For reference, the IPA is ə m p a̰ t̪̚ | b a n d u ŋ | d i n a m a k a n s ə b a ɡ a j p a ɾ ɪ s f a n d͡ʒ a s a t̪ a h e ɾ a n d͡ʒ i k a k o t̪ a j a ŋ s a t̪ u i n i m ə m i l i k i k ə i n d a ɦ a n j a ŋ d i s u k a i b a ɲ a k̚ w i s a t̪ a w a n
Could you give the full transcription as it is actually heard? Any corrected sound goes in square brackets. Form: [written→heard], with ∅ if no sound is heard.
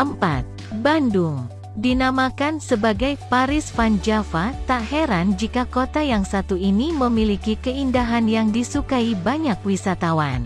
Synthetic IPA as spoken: ə m p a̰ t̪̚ | b a n d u ŋ | d i n a m a k a n s ə b a ɡ a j p a ɾ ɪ s f a n d͡ʒ a [s→f] a t̪ a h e ɾ a n d͡ʒ i k a k o t̪ a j a ŋ s a t̪ u i n i m ə m i l i k i k ə i n d a ɦ a n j a ŋ d i s u k a i b a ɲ a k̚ w i s a t̪ a w a n

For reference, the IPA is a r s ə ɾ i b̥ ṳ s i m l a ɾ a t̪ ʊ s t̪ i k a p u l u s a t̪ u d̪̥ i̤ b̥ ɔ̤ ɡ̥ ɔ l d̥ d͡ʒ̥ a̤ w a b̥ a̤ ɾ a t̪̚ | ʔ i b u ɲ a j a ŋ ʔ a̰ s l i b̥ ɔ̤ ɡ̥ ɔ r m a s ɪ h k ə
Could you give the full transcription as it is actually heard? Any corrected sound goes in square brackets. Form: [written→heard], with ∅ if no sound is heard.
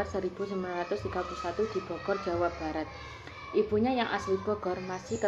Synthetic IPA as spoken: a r s ə ɾ i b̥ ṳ s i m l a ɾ a t̪ ʊ s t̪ i k a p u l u s a t̪ u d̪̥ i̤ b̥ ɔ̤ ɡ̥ ɔ [l→r] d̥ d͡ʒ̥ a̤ w a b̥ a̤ ɾ a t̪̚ | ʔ i b u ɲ a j a ŋ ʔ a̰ s l i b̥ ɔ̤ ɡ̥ ɔ r m a s ɪ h k ə

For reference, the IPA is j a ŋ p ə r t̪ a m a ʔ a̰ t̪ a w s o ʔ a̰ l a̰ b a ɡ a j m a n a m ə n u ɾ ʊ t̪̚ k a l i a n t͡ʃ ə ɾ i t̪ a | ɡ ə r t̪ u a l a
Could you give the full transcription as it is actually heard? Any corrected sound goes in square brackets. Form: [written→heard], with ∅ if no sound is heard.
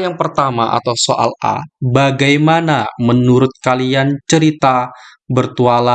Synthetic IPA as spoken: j a ŋ p ə r t̪ a m a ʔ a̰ t̪ a w s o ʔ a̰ l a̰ b a ɡ a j m a n a m ə n u ɾ ʊ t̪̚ k a l i a n t͡ʃ ə ɾ i t̪ a | [ɡ→b] ə r t̪ u a l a

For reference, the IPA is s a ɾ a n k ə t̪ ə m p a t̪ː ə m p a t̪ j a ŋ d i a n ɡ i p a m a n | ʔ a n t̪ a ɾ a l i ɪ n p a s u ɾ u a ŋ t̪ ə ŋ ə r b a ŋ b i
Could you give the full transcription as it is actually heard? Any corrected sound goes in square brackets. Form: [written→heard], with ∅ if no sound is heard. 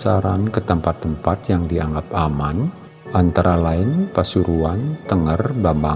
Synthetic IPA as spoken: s a ɾ a n k ə t̪ ə m p a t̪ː ə m p a t̪ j a ŋ d i a [n→ŋ] ɡ [i→a] p a m a n | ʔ a n t̪ a ɾ a l [i→a] ɪ n p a s u ɾ u a [ŋ→n] t̪ ə ŋ ə r b a [ŋ→m] b [i→a]

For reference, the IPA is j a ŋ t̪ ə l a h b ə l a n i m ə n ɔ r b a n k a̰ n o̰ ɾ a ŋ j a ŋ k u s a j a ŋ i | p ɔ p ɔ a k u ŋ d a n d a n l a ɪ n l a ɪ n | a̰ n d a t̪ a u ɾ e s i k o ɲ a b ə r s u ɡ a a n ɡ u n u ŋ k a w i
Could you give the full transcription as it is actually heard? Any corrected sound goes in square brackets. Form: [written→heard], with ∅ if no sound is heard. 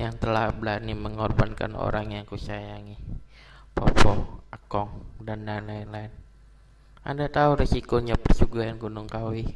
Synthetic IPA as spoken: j a ŋ t̪ ə l a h b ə l a n i m ə [n→ŋ] ɔ r b a n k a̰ n o̰ ɾ a ŋ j a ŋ k u s a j a ŋ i | p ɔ p ɔ a k [u→ɔ] ŋ d a n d a n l a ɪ n l a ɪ n | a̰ n d a t̪ a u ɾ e s i k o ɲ a [b→p] ə r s u ɡ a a n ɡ u n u ŋ k a w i

